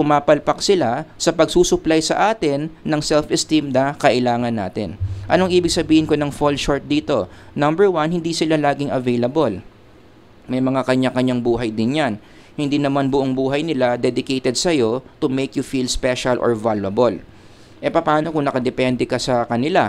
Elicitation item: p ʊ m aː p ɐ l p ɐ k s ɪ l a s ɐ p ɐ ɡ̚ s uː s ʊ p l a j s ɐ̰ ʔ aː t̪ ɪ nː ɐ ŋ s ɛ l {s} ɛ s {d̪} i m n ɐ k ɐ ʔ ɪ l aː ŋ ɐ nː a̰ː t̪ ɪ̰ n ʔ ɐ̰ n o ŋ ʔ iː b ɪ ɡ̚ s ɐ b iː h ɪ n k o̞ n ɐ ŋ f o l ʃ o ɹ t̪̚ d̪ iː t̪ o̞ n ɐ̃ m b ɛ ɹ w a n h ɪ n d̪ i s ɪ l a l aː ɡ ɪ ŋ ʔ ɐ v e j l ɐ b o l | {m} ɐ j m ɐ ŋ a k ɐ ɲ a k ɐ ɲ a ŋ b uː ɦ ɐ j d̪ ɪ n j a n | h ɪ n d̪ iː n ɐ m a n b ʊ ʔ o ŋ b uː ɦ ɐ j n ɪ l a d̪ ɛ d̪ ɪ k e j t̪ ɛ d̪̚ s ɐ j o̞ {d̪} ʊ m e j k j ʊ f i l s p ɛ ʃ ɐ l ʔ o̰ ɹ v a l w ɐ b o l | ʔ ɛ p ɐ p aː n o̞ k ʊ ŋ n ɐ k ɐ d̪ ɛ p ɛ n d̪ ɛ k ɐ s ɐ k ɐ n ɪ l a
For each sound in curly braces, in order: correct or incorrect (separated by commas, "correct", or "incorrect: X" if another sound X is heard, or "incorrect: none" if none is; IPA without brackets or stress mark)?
incorrect: f, incorrect: t̪, correct, incorrect: t̪